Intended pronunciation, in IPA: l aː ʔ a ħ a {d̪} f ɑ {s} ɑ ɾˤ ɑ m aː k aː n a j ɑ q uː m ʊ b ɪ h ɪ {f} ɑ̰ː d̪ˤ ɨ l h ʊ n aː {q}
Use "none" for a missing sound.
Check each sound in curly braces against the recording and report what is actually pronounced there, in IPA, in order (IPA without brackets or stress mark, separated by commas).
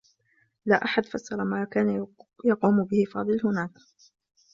d̪, sː, f, k